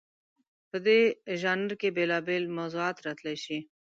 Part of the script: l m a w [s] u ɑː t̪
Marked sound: incorrect: z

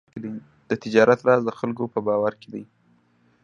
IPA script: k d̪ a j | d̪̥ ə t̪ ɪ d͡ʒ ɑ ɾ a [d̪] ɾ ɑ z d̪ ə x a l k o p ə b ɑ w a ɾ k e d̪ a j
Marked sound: incorrect: t̪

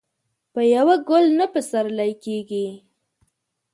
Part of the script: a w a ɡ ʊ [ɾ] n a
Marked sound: incorrect: l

